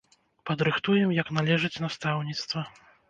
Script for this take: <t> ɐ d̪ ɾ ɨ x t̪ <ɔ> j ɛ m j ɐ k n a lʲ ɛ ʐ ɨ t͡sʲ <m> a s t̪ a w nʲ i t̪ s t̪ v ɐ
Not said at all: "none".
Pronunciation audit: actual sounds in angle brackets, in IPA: p, u, n

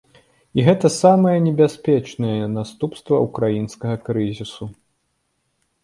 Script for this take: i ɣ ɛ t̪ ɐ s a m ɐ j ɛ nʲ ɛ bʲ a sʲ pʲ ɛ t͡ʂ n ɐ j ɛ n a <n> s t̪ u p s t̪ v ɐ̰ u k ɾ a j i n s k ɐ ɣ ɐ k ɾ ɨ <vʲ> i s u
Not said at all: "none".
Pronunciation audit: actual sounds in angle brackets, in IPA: none, zʲ

